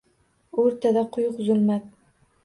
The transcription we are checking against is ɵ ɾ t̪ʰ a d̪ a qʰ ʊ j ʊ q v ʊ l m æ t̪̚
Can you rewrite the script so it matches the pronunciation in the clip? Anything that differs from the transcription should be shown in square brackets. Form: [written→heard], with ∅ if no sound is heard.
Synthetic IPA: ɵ ɾ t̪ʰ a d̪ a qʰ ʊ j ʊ q [v→z] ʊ l m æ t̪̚